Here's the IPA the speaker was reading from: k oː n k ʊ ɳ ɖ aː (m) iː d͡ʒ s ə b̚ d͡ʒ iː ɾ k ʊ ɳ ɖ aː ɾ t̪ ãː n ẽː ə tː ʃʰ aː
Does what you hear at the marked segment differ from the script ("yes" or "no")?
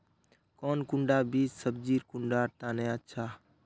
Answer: yes